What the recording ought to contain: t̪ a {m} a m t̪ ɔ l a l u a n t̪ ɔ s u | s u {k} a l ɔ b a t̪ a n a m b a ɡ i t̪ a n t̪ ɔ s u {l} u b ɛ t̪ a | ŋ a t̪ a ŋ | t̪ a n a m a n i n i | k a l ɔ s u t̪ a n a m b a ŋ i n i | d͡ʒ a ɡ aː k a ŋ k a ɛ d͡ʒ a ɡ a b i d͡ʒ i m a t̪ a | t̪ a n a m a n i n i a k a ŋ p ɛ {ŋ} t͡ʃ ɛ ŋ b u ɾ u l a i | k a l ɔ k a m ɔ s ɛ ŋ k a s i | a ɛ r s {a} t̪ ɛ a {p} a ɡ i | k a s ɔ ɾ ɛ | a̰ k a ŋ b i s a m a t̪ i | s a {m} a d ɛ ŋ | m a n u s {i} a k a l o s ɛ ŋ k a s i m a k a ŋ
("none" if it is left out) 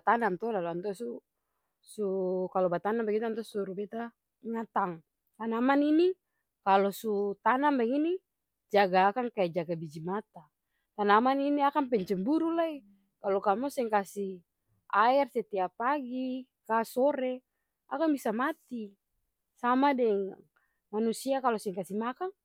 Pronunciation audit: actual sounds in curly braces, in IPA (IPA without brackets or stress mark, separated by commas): n, k, ɾ, ɲ, ɛ, p, m, i